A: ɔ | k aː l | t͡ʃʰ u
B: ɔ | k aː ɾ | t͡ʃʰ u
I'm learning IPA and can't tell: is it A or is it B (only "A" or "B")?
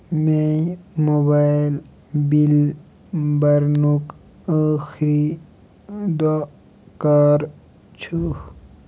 B